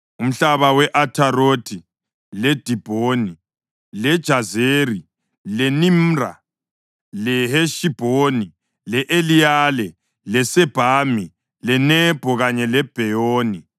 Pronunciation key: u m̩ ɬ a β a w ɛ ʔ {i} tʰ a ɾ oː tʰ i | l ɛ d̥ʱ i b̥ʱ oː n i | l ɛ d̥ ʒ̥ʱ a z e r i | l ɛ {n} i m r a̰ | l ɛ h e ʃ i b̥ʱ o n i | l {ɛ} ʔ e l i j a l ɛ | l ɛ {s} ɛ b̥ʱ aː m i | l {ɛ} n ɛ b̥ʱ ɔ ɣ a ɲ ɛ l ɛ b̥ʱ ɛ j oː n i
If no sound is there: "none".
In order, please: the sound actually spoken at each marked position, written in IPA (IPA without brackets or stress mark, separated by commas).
a, n, ɛ, s, ɛ